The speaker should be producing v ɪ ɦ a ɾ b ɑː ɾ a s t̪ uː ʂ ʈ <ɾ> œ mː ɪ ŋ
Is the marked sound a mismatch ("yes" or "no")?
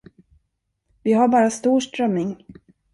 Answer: no